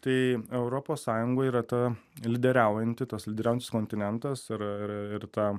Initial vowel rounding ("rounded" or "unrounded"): unrounded